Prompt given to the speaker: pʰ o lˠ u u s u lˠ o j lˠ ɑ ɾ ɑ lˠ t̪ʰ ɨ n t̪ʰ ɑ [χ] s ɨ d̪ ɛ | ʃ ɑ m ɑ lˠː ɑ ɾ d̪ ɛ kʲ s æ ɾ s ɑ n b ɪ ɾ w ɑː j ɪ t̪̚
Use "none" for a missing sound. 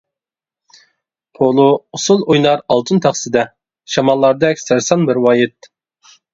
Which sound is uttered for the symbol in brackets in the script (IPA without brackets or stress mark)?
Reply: χ